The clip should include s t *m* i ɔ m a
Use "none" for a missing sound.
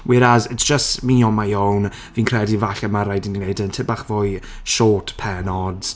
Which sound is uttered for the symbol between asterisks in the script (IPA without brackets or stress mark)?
m